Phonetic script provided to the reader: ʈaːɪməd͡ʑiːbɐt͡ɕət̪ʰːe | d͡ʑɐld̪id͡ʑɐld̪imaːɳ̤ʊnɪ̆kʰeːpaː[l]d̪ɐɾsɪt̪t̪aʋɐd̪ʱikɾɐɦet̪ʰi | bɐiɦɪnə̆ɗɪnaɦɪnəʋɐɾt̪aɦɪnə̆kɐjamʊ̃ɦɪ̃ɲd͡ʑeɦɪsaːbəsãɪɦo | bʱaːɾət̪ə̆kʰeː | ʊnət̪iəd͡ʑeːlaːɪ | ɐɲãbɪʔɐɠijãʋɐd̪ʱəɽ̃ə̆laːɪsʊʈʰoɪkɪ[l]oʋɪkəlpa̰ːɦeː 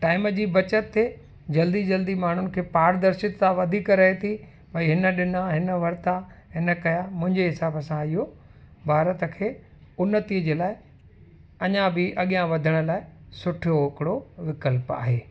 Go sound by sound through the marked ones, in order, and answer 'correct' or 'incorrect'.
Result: incorrect: ɾ, incorrect: ɽ

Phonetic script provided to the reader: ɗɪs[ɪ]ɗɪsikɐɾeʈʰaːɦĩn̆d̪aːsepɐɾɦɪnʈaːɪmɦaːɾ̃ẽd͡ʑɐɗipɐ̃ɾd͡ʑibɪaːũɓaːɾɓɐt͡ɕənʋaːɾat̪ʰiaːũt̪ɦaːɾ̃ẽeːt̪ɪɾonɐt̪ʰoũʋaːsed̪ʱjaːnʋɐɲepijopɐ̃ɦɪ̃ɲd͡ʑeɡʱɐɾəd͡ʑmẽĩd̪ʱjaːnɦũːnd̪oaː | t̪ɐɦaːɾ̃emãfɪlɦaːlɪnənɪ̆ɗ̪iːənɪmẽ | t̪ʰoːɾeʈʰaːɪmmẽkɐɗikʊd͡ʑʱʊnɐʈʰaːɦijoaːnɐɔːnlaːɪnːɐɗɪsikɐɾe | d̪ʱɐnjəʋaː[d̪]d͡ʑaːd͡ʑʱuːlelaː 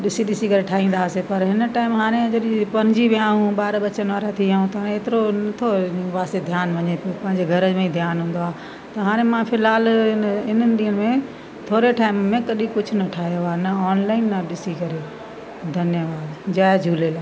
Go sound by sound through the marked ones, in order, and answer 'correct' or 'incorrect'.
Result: incorrect: i, correct

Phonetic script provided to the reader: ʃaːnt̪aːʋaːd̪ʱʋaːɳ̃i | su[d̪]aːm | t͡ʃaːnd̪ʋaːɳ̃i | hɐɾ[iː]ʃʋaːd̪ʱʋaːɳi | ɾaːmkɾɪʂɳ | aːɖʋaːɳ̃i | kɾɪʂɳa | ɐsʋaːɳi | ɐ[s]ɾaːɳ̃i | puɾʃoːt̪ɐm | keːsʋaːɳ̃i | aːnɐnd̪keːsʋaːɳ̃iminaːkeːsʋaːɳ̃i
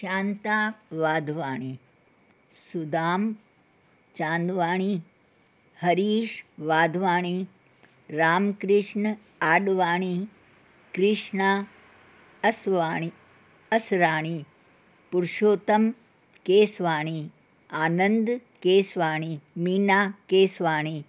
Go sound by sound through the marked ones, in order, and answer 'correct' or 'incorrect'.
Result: correct, correct, correct

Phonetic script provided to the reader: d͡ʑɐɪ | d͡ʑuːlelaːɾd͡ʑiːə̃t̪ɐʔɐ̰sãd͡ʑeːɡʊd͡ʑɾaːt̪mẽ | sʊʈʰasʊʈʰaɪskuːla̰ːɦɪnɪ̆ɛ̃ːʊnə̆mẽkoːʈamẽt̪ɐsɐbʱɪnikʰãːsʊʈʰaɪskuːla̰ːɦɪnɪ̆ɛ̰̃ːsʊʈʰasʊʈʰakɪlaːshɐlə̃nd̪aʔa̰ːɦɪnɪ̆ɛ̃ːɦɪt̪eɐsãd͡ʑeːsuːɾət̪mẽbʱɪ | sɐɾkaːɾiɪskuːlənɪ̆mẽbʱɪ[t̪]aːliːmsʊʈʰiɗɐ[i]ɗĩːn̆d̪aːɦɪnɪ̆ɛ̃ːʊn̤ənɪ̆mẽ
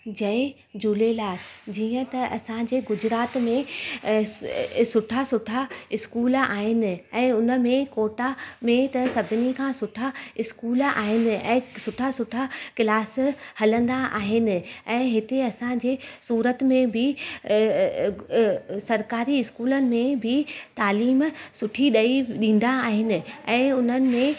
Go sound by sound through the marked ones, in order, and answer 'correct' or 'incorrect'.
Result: correct, correct

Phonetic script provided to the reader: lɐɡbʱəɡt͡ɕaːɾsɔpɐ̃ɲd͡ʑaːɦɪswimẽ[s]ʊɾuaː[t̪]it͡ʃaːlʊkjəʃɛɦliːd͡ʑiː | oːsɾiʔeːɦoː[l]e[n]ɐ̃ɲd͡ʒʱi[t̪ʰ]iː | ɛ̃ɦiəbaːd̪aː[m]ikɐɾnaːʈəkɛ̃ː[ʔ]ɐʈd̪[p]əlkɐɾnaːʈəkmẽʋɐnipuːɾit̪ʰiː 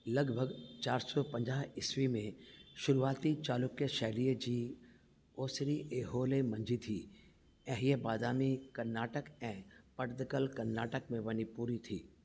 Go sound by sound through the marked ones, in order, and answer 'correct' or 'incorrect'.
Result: incorrect: ʃ, correct, correct, incorrect: m, correct, correct, incorrect: p, incorrect: k

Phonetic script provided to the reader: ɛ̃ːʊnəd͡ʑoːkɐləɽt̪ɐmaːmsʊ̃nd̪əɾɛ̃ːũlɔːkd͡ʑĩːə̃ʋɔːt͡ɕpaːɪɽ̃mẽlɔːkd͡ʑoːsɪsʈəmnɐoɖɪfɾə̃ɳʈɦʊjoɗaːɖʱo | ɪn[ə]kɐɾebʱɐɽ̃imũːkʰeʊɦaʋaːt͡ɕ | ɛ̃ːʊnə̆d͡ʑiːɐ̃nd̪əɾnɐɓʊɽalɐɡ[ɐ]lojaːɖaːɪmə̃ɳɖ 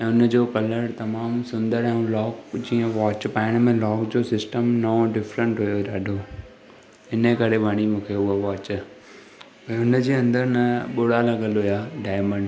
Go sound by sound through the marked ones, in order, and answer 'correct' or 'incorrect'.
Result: correct, incorrect: ə

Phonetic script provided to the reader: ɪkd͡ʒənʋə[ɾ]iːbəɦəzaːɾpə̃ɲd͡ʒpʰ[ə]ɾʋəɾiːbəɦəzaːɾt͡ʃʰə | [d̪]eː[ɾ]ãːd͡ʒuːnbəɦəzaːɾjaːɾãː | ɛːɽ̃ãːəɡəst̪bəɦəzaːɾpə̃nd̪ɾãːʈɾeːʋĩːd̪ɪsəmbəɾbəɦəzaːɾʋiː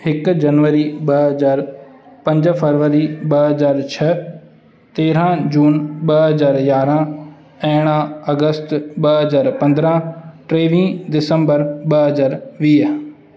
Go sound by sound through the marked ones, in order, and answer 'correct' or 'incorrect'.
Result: correct, correct, incorrect: t̪, correct

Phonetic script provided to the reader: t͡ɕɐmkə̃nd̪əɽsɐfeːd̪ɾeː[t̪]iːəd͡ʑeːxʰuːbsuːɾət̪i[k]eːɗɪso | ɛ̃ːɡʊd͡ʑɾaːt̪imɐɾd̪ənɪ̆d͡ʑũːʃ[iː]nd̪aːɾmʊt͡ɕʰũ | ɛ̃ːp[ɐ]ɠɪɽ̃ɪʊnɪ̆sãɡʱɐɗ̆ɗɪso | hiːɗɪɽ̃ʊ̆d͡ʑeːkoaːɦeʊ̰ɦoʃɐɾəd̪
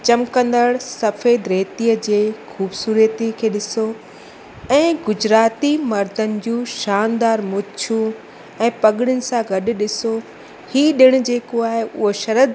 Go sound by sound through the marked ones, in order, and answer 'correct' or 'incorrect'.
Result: correct, incorrect: kʰ, incorrect: aː, correct

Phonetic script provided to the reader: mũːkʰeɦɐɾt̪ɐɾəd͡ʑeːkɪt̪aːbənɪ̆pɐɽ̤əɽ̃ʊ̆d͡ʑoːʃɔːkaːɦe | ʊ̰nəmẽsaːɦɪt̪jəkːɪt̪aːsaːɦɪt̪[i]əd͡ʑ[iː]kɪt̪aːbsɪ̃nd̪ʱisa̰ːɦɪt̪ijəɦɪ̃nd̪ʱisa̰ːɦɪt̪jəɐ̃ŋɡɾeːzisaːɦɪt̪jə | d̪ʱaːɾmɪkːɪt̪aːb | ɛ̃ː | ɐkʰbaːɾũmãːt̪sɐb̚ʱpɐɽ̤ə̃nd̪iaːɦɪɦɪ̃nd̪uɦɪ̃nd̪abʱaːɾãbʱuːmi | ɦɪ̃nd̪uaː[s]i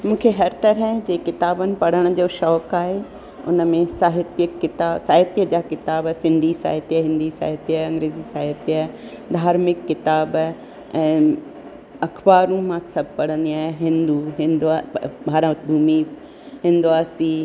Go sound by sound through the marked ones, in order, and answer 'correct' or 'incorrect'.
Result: incorrect: j, incorrect: aː, correct

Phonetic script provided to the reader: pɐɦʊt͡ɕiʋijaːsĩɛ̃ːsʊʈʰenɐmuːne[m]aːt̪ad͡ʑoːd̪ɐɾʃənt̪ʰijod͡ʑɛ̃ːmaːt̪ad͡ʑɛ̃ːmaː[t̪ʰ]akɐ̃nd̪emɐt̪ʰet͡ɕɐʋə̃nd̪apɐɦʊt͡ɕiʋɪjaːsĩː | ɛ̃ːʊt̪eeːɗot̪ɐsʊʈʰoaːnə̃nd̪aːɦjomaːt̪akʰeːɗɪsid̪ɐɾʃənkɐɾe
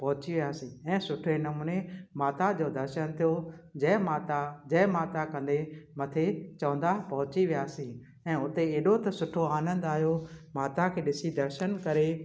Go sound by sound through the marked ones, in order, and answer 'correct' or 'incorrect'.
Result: correct, incorrect: t̪

